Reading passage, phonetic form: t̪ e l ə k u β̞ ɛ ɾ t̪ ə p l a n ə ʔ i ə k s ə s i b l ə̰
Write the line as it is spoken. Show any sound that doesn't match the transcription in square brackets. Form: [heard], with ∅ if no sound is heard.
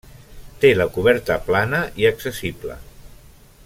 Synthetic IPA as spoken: t̪ e l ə k u β̞ ɛ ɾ t̪ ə p l a n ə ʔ i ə k s ə s i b l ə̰